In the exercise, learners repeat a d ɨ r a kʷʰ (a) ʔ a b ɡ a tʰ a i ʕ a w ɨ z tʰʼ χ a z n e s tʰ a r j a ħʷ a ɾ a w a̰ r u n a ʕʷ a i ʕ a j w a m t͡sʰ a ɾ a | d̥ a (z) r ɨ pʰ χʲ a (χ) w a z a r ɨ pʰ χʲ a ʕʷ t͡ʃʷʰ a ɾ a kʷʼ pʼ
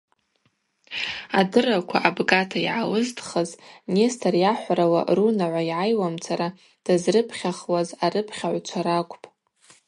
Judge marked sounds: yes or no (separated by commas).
yes, yes, yes